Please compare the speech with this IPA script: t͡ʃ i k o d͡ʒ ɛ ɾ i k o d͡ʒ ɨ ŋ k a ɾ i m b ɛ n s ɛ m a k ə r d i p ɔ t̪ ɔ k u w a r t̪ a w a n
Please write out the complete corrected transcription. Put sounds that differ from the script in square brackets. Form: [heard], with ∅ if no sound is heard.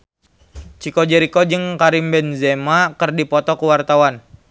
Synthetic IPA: t͡ʃ i k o d͡ʒ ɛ ɾ i k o d͡ʒ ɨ ŋ k a ɾ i m b ɛ n [z] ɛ m a k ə r d i p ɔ t̪ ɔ k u w a r t̪ a w a n